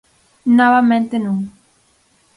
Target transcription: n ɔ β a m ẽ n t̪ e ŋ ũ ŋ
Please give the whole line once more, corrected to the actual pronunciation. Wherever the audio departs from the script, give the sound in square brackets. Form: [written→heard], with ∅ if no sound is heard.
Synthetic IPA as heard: n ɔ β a m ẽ n t̪ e [ŋ→n] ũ ŋ